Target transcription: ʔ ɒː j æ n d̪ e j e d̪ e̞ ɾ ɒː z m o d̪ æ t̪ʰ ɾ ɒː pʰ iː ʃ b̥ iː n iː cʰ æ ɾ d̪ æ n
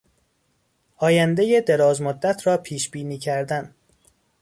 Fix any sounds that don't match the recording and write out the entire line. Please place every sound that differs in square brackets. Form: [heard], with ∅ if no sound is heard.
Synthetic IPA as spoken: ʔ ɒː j æ n d̪ e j e d̪ e̞ ɾ ɒː z m o [d̪ː] æ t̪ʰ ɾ ɒː pʰ iː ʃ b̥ iː n iː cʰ æ ɾ d̪ æ n